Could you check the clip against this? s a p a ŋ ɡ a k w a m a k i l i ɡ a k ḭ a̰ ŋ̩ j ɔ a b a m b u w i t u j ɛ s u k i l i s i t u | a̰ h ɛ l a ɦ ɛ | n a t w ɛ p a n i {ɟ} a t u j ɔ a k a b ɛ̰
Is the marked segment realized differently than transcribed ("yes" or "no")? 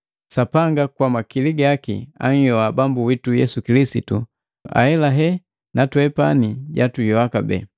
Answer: no